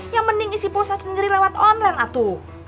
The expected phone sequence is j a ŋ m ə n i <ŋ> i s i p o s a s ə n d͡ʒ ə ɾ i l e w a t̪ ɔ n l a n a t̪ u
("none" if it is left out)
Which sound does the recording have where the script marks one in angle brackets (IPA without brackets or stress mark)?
ŋ